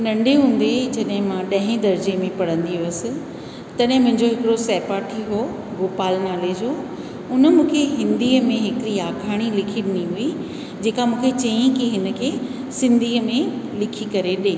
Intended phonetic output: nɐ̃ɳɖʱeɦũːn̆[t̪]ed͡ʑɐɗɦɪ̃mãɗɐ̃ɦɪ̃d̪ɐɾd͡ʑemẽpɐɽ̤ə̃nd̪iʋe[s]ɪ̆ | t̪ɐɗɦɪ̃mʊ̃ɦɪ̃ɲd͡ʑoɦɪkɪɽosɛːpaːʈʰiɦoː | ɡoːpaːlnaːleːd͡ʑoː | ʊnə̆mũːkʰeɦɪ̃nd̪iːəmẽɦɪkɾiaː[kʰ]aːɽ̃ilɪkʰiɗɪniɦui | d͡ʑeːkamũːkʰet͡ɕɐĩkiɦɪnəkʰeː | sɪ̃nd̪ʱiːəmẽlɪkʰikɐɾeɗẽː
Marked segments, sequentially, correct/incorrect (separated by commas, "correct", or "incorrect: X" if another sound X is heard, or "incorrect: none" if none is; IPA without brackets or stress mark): incorrect: d̪, correct, correct